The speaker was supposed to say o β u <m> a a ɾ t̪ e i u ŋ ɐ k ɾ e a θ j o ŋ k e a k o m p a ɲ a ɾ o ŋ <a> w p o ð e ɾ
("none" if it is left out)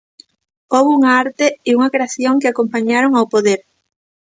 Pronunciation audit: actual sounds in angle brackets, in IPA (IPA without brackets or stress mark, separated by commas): ŋ, a